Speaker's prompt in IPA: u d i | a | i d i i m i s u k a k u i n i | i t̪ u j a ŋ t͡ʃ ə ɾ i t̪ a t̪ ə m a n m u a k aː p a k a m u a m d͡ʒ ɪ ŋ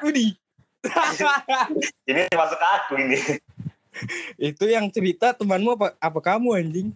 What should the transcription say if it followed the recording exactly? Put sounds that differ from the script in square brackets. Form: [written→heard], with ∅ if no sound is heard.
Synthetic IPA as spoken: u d i | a | i [d→n] i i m [i→a] s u k a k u i n i | i t̪ u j a ŋ t͡ʃ ə ɾ i t̪ a t̪ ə m a n m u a [k→p] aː p a k a m u a [m→ɲ] d͡ʒ ɪ ŋ